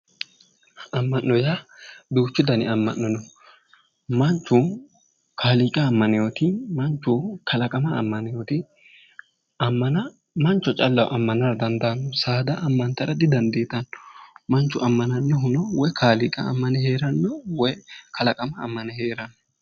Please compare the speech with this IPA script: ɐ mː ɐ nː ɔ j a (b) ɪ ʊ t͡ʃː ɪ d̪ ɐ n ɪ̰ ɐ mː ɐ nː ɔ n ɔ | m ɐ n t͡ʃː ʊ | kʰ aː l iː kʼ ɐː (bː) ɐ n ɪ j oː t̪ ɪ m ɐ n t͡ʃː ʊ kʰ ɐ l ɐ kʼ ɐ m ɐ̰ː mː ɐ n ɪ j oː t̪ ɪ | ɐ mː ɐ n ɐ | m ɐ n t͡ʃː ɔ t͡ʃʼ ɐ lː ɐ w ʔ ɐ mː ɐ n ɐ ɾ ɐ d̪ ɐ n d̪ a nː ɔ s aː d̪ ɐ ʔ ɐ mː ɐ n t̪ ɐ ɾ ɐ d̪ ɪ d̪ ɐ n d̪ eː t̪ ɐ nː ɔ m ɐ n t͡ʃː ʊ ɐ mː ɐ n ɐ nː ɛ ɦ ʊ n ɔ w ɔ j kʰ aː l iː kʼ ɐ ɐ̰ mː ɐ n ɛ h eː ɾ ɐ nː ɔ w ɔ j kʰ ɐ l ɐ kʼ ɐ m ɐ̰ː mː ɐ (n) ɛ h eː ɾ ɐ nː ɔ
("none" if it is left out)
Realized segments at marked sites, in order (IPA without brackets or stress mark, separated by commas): b, mː, n